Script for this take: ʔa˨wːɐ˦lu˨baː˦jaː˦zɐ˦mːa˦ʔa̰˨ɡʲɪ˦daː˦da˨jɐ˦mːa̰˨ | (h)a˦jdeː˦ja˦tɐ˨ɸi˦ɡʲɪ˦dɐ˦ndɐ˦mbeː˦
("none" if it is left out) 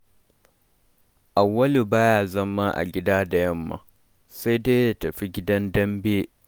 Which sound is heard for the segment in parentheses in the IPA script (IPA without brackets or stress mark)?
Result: s